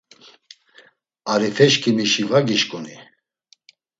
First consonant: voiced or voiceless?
voiced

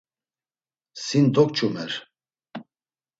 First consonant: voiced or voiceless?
voiceless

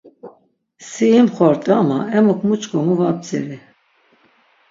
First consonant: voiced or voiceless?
voiceless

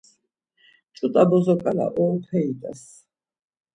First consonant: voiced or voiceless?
voiceless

